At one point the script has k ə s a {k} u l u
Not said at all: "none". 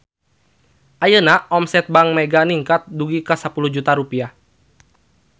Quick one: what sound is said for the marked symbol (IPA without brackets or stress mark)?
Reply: p